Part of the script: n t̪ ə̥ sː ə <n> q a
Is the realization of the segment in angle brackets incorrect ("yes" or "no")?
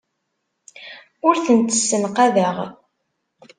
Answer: no